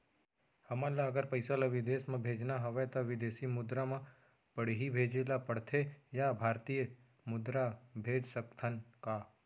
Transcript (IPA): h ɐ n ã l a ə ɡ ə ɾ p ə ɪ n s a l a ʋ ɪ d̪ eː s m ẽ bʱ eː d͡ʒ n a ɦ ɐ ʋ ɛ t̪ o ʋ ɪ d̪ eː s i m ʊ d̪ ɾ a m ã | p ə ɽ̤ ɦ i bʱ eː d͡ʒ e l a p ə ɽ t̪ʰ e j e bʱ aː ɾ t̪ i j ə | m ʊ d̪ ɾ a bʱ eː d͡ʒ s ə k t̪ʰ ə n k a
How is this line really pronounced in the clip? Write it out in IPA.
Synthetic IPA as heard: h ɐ m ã l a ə ɡ ə ɾ p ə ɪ s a l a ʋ ɪ d̪ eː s m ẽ bʱ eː d͡ʒ n a ɦ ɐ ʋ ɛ t̪ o ʋ ɪ d̪ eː s i m ʊ d̪ ɾ a m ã | p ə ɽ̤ ɦ i bʱ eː d͡ʒ e l a p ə ɽ t̪ʰ e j a bʱ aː ɾ t̪ i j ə | m ʊ d̪ ɾ a bʱ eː d͡ʒ s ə k t̪ʰ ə n k a